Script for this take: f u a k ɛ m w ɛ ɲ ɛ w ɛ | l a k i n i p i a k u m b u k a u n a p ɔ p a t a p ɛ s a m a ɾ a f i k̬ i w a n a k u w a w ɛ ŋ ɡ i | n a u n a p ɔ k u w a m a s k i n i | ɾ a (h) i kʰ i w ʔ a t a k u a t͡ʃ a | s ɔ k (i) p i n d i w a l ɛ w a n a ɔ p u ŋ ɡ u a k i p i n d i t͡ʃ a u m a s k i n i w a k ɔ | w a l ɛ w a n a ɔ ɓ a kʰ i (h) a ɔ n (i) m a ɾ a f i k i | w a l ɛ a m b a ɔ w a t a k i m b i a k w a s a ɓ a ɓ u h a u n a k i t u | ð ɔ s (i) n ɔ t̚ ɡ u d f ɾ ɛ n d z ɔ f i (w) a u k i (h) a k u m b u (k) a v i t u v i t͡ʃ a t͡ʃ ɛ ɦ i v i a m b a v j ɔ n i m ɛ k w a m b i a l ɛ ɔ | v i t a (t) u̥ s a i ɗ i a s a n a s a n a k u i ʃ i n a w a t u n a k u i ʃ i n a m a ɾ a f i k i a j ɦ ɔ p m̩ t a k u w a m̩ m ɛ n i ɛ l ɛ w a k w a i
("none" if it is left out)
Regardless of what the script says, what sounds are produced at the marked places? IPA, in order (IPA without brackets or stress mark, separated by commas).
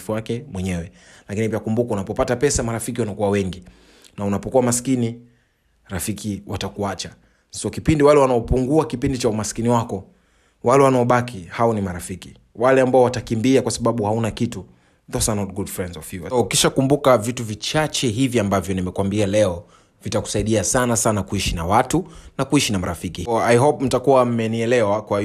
f, i, h, i, a, v, ʃ, k, k